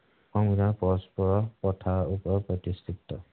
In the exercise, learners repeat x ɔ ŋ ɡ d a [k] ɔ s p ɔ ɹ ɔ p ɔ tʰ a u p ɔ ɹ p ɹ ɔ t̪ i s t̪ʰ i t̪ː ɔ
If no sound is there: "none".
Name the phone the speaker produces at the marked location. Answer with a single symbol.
p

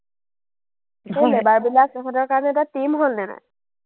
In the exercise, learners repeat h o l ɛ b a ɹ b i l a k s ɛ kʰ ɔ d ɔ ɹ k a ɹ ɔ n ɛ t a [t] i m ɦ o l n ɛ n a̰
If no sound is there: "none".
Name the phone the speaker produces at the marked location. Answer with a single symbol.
t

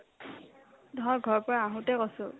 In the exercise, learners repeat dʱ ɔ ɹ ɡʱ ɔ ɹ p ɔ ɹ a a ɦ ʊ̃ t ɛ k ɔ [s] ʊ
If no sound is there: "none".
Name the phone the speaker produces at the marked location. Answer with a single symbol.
s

